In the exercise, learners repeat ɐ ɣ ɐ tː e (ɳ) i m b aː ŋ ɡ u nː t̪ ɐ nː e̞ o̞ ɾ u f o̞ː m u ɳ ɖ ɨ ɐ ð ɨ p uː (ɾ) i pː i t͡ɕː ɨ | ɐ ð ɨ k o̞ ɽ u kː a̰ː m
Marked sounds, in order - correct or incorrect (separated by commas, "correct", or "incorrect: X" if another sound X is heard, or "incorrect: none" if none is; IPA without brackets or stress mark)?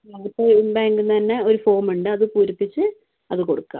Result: incorrect: none, correct